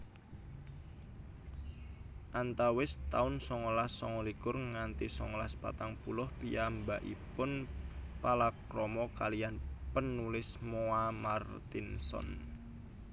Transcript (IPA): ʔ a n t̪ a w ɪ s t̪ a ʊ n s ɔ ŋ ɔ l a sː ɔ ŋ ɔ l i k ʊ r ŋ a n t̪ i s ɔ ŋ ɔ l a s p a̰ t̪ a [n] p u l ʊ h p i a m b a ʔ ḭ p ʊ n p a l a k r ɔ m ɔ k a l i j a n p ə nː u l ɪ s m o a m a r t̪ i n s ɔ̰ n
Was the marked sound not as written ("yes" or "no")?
yes